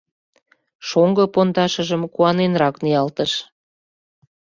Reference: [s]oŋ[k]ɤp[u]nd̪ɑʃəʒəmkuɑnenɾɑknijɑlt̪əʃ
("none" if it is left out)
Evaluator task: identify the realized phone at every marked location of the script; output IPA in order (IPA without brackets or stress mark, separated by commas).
ʃ, ɡ, o